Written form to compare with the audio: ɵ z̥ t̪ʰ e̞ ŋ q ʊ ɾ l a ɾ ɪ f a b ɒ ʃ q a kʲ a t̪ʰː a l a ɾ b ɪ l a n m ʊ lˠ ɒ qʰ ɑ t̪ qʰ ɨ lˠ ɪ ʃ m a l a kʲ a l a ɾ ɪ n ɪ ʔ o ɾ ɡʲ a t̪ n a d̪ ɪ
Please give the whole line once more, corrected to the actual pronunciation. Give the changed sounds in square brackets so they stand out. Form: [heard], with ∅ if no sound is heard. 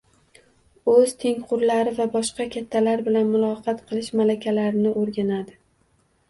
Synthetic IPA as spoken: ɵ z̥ t̪ʰ e̞ ŋ q ʊ ɾ l a ɾ ɪ [v] a b ɒ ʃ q [ɑ] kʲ a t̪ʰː a l a ɾ b ɪ l a n m ʊ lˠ ɒ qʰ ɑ t̪ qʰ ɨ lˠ ɪ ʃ m a l a kʲ a l a ɾ ɪ n ɪ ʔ o ɾ ɡʲ a [∅] n a d̪ ɪ

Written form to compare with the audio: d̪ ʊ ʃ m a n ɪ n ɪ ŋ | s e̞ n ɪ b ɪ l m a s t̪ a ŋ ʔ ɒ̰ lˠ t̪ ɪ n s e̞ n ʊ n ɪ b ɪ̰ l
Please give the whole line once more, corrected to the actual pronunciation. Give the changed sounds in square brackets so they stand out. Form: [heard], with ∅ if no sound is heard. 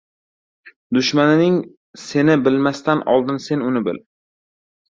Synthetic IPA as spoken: d̪ ʊ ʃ m a n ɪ n ɪ ŋ | s e̞ n ɪ b ɪ l m a s t̪ a [n] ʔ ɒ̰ lˠ [d̪] ɪ n s e̞ n ʊ n ɪ b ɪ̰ l

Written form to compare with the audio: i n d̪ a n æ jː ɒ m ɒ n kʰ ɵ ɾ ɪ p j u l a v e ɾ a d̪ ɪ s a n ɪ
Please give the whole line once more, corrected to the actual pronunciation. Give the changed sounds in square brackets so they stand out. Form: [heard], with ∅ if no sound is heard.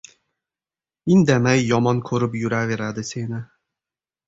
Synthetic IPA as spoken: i n d̪ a [m] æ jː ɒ m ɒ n kʰ ɵ ɾ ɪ p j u [ɾ] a v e ɾ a d̪ ɪ s [e] n ɪ

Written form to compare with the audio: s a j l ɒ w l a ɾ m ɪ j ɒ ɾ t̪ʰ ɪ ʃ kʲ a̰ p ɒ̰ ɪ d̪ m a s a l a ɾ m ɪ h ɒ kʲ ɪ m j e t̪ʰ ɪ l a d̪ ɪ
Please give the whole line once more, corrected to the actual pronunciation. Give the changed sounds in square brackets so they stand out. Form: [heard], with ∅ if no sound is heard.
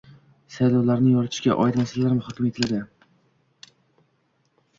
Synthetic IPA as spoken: s a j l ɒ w l a ɾ [n] ɪ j ɒ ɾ t̪ʰ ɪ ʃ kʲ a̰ [ʔ] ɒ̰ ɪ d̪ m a s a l a ɾ m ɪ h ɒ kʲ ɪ m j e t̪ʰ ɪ l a d̪ ɪ

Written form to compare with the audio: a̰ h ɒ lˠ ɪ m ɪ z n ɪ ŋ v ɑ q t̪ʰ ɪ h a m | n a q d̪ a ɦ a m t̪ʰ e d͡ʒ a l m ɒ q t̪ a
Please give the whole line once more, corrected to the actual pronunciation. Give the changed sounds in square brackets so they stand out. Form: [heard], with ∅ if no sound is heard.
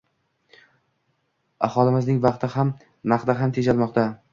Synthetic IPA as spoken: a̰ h ɒ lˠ ɪ m ɪ z n ɪ ŋ v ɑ q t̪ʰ ɪ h a m | n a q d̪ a ɦ a m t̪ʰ e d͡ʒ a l m ɒ q t̪ a

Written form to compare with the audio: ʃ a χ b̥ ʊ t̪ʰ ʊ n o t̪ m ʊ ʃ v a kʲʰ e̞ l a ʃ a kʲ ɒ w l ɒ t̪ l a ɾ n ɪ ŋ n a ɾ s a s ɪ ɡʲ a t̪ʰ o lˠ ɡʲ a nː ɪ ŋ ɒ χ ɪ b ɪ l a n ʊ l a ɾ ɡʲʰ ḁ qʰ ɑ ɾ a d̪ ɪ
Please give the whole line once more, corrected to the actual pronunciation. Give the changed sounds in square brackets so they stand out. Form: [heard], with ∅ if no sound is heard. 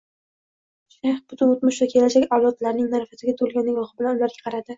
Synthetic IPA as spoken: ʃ a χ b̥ ʊ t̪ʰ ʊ n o t̪ m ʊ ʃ v a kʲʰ e̞ l a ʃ a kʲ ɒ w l ɒ t̪ l a ɾ n ɪ ŋ n a ɾ [f] a s ɪ ɡʲ a t̪ʰ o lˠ ɡʲ a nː ɪ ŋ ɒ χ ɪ b ɪ l a n ʊ l a ɾ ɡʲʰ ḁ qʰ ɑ ɾ a d̪ ɪ

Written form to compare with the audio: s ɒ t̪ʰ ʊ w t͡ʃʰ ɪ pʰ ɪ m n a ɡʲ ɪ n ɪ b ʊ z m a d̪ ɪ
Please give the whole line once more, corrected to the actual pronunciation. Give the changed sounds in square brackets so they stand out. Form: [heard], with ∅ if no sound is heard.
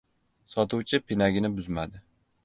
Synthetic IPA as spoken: s ɒ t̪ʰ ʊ w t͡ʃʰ ɪ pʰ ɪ [∅] n a ɡʲ ɪ n ɪ b ʊ z m a d̪ ɪ

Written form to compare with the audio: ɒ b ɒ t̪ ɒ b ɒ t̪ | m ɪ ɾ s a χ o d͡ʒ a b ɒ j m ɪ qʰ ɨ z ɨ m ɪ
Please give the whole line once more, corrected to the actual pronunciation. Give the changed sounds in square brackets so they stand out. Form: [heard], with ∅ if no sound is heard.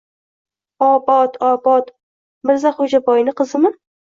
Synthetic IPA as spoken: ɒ b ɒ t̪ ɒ b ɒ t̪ | m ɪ ɾ [z] a χ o d͡ʒ a b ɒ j [n] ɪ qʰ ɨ z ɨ m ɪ

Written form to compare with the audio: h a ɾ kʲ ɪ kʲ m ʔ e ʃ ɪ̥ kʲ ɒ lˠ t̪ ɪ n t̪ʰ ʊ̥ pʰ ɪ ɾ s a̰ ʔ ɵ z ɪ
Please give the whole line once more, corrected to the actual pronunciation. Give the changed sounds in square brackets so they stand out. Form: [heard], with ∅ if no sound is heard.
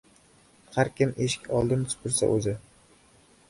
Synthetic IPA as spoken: h a ɾ kʲ ɪ [∅] m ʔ e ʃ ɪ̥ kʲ ɒ lˠ [d̪] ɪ n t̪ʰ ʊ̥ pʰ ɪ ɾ s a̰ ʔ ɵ z ɪ

